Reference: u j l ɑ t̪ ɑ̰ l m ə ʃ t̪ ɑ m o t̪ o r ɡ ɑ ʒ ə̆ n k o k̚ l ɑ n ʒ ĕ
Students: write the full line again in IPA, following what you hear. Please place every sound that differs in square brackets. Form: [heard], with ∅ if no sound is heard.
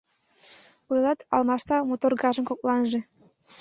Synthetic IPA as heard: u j l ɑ t̪ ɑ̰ l m [ɑ] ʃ t̪ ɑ m o t̪ o r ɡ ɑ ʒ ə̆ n k o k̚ l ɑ n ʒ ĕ

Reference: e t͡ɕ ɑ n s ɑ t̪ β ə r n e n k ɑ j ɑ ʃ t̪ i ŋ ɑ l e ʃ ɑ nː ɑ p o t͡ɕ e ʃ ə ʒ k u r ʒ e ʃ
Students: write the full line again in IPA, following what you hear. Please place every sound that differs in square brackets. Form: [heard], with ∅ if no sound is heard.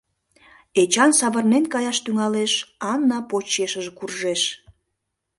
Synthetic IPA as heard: e t͡ɕ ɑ n s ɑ [∅] β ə r n e n k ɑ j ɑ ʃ t̪ [y] ŋ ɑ l e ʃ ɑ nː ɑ p o t͡ɕ e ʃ ə ʒ k u r ʒ e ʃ

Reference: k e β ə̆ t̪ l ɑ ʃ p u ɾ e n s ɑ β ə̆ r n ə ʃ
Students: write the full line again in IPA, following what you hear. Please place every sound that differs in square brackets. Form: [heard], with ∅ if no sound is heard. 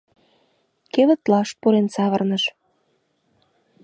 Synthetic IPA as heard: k e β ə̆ t̪ l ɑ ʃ p u ɾ e n s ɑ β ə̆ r n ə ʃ

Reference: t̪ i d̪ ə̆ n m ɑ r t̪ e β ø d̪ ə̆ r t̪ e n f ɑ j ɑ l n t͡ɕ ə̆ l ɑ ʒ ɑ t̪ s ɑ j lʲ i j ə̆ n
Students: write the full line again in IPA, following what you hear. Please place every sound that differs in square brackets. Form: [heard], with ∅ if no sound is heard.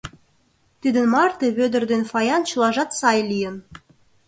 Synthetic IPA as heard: t̪ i d̪ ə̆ n m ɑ r t̪ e β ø d̪ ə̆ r [d̪] e n f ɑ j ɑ [∅] n t͡ɕ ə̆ l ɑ ʒ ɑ t̪ s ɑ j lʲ i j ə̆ n

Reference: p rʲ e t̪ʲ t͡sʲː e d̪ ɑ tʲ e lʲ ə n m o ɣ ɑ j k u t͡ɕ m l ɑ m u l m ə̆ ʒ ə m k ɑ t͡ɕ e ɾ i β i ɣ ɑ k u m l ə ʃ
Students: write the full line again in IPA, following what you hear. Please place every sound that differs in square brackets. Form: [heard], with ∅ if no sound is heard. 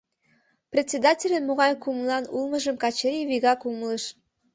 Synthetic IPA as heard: p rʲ e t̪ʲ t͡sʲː e d̪ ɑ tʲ e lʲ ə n m o ɣ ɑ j k u [∅] m l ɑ [n] u l m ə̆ ʒ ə m k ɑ t͡ɕ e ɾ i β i ɣ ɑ k u m l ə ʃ

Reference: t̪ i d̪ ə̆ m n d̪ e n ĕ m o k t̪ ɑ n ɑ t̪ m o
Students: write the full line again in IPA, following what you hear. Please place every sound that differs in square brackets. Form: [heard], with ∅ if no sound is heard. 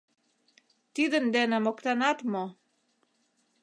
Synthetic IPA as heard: t̪ i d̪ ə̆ [∅] n d̪ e n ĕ m o k t̪ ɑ n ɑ t̪ m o

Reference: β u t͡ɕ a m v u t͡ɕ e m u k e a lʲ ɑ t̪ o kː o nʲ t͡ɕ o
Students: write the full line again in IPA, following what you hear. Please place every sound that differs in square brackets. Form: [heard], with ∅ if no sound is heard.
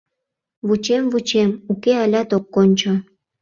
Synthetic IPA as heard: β u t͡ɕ [e] m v u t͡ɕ e m u k e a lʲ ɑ t̪ o kː o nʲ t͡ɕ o

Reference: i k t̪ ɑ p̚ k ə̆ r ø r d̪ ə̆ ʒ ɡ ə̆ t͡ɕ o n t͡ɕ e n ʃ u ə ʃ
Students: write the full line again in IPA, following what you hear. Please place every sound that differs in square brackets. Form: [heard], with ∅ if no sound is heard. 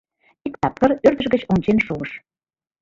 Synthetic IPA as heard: i k t̪ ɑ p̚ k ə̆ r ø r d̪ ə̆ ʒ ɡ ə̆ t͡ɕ o n t͡ɕ e n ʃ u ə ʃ

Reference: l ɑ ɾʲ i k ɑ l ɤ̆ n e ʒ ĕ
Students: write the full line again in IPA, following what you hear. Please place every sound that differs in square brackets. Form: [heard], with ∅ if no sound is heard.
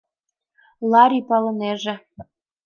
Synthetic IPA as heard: l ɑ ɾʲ i [p] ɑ l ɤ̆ n e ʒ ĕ

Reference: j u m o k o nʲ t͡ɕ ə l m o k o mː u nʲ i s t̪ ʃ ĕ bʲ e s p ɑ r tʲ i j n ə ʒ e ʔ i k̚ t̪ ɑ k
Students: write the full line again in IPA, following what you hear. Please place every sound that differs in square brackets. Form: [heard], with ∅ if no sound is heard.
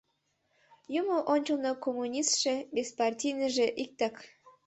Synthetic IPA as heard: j u m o [ʔ] o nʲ t͡ɕ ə l [n] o k o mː u nʲ i s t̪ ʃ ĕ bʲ e s p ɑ r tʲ i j n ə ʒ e ʔ i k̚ t̪ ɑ k

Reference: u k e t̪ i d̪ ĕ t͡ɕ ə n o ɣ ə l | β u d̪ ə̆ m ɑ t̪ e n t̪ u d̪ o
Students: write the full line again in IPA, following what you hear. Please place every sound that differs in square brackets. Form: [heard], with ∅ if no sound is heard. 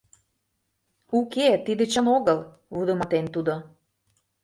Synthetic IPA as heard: u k e t̪ i d̪ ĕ t͡ɕ ə n o ɣ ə l | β u d̪ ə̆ m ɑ t̪ e n t̪ u d̪ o

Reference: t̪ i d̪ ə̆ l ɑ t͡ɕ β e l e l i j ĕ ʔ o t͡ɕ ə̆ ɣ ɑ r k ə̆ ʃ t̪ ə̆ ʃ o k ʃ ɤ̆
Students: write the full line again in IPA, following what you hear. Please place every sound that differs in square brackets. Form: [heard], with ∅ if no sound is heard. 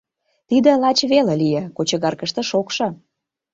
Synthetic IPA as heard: t̪ i d̪ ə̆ l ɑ t͡ɕ β e l e l i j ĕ [k] o t͡ɕ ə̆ ɣ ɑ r k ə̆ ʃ t̪ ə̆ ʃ o k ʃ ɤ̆

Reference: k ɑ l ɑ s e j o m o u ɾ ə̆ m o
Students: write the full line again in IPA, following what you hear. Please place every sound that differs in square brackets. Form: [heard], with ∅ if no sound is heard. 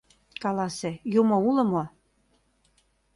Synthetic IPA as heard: k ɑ l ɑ s e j [u] m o u [l] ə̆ m o

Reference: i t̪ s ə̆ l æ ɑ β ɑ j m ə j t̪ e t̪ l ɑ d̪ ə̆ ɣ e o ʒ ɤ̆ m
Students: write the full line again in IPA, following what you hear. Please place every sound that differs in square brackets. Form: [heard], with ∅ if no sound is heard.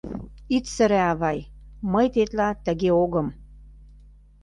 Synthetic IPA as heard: i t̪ s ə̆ [ɾ] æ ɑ β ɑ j m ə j t̪ e t̪ l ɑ [t̪] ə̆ ɣ e o [ɣ] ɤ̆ m

